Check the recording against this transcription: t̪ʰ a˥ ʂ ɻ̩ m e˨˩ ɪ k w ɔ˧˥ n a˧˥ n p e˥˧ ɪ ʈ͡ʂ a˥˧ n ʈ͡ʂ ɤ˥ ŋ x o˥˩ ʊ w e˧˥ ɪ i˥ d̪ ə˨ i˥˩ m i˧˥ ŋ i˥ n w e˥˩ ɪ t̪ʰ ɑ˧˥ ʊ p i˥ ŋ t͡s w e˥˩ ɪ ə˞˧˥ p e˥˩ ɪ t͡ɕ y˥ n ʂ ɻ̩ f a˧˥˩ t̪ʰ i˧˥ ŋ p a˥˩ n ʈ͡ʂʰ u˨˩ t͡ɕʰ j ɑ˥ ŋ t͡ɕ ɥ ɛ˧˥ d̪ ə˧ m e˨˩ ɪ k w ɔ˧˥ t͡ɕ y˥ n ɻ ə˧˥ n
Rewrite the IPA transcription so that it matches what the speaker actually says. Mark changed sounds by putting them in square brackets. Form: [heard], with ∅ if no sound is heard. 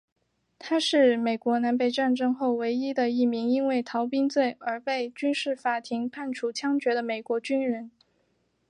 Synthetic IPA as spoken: t̪ʰ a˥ ʂ ɻ̩ m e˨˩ ɪ k w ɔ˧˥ n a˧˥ n p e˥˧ ɪ ʈ͡ʂ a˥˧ n ʈ͡ʂ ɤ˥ ŋ x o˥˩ ʊ w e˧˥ ɪ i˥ d̪ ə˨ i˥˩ m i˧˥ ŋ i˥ n w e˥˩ ɪ t̪ʰ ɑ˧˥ ʊ p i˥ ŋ t͡s w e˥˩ ɪ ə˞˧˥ p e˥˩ ɪ t͡ɕ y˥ n ʂ ɻ̩ f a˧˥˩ t̪ʰ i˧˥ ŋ [pʰ] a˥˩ n ʈ͡ʂʰ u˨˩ t͡ɕʰ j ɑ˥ ŋ t͡ɕ ɥ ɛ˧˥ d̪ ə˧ m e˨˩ ɪ k w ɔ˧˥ t͡ɕ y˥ n ɻ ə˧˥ n